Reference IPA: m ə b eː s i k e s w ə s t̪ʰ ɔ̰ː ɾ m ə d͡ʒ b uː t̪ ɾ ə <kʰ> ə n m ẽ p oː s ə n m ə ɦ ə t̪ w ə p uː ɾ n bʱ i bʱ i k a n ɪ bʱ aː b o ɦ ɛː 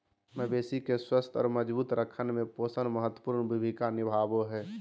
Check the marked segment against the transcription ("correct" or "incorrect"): correct